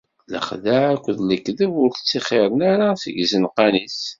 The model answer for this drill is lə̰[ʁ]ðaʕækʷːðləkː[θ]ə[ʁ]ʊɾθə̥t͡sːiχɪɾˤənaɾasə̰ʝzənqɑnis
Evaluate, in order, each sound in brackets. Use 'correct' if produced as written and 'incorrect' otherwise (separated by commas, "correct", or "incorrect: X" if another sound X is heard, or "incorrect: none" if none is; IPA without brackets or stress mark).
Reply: incorrect: χ, incorrect: ð, incorrect: v